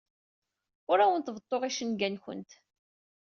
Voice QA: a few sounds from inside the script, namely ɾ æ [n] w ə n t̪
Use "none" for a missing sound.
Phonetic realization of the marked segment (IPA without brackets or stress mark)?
none